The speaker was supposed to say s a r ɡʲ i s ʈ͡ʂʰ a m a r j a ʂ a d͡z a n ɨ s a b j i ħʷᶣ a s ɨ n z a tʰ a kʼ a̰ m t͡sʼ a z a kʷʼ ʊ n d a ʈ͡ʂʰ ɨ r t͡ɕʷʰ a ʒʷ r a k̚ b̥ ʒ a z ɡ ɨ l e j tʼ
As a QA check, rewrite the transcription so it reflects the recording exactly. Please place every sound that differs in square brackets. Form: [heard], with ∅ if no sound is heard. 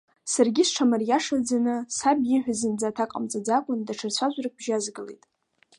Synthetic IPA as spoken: s a r ɡʲ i s ʈ͡ʂʰ a m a r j a ʂ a d͡z a n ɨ s a b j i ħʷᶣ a [z] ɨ n [d͡z] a tʰ a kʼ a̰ m t͡sʼ a [d͡z] a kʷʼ ʊ n d a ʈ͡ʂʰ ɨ r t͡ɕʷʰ a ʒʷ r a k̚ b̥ ʒ a z ɡ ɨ l e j tʼ